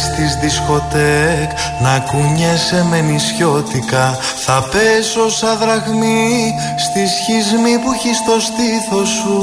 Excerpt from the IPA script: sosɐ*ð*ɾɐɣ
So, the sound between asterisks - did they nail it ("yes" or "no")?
yes